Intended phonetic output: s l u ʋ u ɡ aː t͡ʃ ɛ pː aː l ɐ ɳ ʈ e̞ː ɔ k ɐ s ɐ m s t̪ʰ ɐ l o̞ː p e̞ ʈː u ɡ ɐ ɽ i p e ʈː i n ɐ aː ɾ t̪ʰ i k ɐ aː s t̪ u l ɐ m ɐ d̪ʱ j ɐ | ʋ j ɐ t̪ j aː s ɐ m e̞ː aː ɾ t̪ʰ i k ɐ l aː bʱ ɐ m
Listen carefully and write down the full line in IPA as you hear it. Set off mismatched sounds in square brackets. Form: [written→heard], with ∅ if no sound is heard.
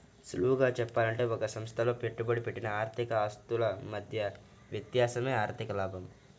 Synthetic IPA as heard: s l u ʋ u ɡ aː t͡ʃ ɛ pː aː l ɐ ɳ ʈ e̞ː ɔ k ɐ s ɐ m s t̪ʰ ɐ l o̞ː p e̞ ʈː u [ɡ→b] ɐ ɽ i p e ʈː i n ɐ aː ɾ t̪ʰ i k ɐ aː s t̪ u l ɐ m ɐ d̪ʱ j ɐ | ʋ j ɐ t̪ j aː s ɐ m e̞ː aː ɾ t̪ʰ i k ɐ l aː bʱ ɐ m